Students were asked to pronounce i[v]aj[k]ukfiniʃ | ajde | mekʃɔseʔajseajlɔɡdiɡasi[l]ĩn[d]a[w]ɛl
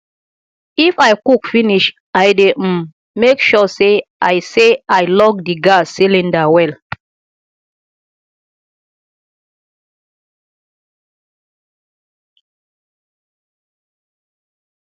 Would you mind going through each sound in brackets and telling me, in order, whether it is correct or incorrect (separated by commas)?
incorrect, correct, correct, correct, correct